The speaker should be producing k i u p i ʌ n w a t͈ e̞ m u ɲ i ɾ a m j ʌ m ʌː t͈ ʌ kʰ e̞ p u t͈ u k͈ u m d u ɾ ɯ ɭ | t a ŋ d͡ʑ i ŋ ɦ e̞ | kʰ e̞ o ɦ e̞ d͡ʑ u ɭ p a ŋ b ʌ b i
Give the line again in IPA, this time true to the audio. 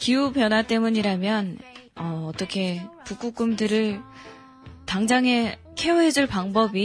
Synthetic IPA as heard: k i u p j ʌ n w a t͈ e̞ m u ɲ i ɾ a m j ʌ n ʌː t͈ ʌ kʰ e̞ p u k͈ u k͈ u m d ɯ ɾ ɯ ɭ | t a ŋ d͡ʑ a ŋ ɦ e̞ | kʰ e̞ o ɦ e̞ d͡ʑ u ɭ p a ŋ b ʌ b i